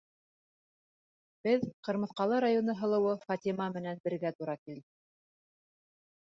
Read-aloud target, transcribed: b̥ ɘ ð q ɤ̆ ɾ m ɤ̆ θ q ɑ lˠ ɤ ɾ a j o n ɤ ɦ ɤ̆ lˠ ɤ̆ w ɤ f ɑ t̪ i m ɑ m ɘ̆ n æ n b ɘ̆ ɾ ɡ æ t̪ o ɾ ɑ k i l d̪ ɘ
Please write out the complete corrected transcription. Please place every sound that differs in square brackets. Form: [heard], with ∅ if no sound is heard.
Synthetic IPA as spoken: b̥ ɘ ð q ɤ̆ ɾ m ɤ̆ θ q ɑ lˠ ɤ ɾ a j o n ɤ ɦ ɤ̆ lˠ ɤ̆ w ɤ f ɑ t̪ i m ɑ m ɘ̆ n æ n b ɘ̆ ɾ ɡ æ t̪ [u] ɾ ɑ k i l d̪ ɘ